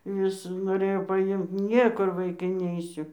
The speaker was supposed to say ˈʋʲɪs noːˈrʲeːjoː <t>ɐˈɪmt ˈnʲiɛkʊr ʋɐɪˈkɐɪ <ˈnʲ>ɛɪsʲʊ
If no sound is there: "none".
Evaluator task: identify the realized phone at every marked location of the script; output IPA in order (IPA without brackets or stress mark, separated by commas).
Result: p, nʲ